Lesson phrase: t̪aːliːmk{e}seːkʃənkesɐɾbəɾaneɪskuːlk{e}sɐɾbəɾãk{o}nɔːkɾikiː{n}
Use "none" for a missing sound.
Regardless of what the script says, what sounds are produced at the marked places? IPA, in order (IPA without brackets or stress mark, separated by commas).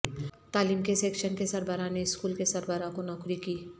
e, e, o, none